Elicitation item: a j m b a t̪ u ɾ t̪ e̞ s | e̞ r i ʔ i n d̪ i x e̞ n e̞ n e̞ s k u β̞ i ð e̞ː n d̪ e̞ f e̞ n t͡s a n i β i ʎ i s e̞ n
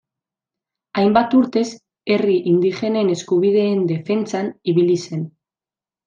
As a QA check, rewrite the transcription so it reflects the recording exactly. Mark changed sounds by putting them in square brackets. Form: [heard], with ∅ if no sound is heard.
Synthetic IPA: a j m b a t̪ u ɾ t̪ e̞ s | e̞ r i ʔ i n d̪ i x e̞ n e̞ n e̞ s k u β̞ i ð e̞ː n d̪ e̞ f e̞ n t͡s a n i β i [l] i s e̞ n

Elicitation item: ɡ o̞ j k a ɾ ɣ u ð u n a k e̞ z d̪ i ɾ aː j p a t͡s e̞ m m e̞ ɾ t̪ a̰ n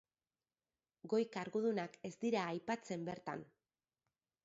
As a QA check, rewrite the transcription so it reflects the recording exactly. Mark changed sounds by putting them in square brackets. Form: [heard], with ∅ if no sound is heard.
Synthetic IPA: ɡ o̞ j k a ɾ ɣ u ð u n a k e̞ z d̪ i ɾ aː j p a t͡s e̞ m [b] e̞ ɾ t̪ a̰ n

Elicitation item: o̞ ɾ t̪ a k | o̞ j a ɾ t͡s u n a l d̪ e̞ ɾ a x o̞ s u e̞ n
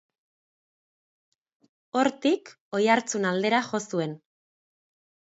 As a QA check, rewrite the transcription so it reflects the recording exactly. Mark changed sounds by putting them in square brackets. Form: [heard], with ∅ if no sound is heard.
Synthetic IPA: o̞ ɾ t̪ [i] k | o̞ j a ɾ t͡s u n a l d̪ e̞ ɾ a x o̞ s u e̞ n

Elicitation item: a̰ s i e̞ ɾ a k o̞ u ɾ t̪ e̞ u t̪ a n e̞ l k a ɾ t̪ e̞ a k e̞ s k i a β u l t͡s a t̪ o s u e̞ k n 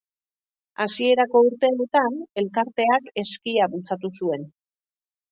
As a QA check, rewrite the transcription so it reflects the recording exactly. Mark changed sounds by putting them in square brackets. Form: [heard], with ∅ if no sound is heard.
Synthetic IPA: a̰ s i e̞ ɾ a k o̞ u ɾ t̪ e̞ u t̪ a n e̞ l k a ɾ t̪ e̞ a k e̞ s k i a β u l t͡s a t̪ [u] s u e̞ [∅] n

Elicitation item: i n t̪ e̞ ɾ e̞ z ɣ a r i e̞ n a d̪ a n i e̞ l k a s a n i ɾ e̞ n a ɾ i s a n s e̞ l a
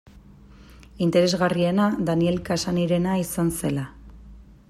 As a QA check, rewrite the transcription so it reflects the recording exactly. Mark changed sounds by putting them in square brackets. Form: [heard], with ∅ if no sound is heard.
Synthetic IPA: i n t̪ e̞ ɾ e̞ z ɣ a r i e̞ n a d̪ a n i e̞ l k a s a n i ɾ e̞ n a [∅] i s a n s e̞ l a

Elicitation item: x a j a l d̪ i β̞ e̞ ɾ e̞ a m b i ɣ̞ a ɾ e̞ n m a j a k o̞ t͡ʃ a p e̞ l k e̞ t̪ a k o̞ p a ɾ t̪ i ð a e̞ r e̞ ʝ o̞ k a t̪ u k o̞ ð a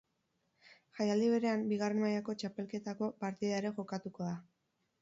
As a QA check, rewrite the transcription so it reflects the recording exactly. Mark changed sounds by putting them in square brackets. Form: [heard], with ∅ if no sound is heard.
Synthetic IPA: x a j a l d̪ i β̞ e̞ ɾ e̞ a m b i ɣ̞ a [r] e̞ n m a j a k o̞ t͡ʃ a p e̞ l k e̞ t̪ a k o̞ p a ɾ t̪ i ð a e̞ [ɾ] e̞ ʝ o̞ k a t̪ u k o̞ ð a

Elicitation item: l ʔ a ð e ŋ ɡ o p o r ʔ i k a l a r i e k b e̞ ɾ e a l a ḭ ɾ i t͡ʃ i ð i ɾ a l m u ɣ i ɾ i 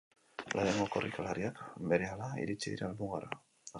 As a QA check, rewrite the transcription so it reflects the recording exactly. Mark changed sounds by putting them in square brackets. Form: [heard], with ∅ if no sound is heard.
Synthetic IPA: l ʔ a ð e ŋ ɡ o [k] o r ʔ i k a l a [ɾ] i [a] k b e̞ ɾ e a l a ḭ ɾ i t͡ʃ i ð i ɾ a l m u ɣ [a] ɾ [a]

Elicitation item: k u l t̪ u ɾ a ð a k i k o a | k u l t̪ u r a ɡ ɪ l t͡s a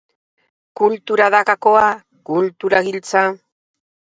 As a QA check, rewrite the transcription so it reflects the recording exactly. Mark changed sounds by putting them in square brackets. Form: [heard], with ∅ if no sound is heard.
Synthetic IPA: k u l t̪ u ɾ a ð a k [a] k o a | k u l t̪ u [ɾ] a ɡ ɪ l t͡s a

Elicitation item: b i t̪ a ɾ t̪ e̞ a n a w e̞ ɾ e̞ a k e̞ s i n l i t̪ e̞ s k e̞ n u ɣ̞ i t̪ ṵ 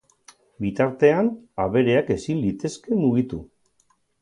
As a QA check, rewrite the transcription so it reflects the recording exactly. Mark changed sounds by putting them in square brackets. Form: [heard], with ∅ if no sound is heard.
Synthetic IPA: b i t̪ a ɾ t̪ e̞ a n a [β] e̞ ɾ e̞ a k e̞ s i n l i t̪ e̞ s k e̞ [m] u ɣ̞ i t̪ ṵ

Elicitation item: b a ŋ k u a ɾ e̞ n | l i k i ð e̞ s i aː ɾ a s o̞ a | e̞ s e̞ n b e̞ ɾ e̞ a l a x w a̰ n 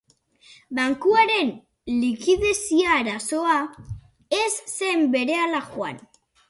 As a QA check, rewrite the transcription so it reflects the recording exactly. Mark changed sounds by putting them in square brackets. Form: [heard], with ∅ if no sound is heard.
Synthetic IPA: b a ŋ k u a ɾ e̞ n | l i k i ð e̞ s i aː ɾ a s o̞ a | e̞ [sː] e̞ [m] b e̞ ɾ e̞ a l a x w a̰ n

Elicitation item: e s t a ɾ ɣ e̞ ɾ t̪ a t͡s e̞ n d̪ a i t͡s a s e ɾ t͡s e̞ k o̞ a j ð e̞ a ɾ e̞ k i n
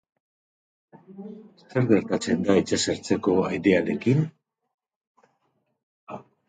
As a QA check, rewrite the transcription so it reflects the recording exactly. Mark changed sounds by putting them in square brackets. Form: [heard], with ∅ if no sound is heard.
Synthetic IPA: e s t [e] ɾ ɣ e̞ ɾ t̪ a t͡s e̞ n d̪ a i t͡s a s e ɾ t͡s e̞ k o̞ a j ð e̞ a ɾ e̞ k i n

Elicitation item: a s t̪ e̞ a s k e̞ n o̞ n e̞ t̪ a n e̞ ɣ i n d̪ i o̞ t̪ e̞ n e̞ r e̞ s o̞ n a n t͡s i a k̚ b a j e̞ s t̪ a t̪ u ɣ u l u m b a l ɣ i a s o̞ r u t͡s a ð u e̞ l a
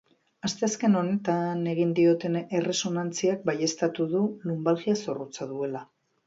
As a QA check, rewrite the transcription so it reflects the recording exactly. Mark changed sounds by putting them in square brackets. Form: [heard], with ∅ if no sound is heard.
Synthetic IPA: a s t̪ e̞ a s k e̞ n o̞ n e̞ t̪ a n e̞ ɣ i n d̪ i o̞ t̪ e̞ n e̞ r e̞ s o̞ n a n t͡s i a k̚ b a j e̞ s t̪ a t̪ u [ð] u l u m b a l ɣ i a s o̞ r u t͡s a ð u e̞ l a

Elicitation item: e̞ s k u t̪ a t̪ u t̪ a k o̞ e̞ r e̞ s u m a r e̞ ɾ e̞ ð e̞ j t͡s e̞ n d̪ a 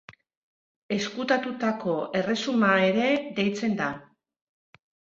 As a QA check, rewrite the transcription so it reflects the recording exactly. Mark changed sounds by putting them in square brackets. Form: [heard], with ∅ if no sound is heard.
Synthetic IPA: e̞ s k u t̪ a t̪ u t̪ a k o̞ e̞ r e̞ s u m a [∅] e̞ ɾ e̞ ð e̞ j t͡s e̞ n d̪ a

